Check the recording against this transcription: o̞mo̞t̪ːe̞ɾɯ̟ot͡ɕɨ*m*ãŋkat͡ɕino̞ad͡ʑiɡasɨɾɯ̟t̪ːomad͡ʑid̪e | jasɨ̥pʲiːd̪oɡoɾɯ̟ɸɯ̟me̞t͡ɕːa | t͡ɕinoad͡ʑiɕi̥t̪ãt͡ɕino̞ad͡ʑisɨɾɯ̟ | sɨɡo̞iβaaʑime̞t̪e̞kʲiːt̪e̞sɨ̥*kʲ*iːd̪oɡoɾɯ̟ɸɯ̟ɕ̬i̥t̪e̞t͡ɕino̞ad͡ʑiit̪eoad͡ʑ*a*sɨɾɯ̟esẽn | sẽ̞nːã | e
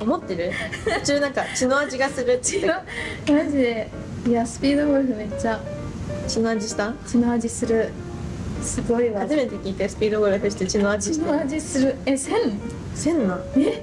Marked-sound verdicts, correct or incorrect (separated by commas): incorrect, incorrect, incorrect